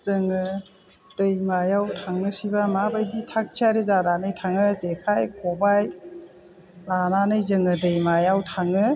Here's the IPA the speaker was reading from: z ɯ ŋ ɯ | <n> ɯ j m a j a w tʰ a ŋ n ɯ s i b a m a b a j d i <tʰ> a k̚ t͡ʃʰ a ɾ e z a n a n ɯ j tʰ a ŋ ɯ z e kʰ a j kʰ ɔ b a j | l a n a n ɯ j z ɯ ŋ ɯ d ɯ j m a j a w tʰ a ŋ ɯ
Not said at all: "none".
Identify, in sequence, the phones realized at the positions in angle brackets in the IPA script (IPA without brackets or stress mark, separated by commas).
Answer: d, tʰ